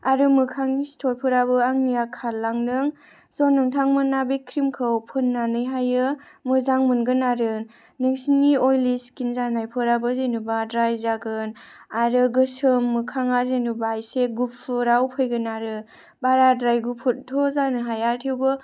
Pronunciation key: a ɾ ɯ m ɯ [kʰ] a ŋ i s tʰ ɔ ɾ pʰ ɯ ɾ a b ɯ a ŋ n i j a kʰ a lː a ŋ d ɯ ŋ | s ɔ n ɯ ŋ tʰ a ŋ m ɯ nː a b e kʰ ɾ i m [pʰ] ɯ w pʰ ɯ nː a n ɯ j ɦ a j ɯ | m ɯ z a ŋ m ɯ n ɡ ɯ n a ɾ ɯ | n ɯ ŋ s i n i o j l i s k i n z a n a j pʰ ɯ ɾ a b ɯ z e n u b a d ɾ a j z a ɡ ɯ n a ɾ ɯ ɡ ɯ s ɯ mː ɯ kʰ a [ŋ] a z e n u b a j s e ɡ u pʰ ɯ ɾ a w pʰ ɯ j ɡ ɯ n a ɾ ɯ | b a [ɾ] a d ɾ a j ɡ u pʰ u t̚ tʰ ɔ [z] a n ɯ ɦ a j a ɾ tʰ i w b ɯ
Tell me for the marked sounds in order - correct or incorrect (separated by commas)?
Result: correct, incorrect, correct, correct, correct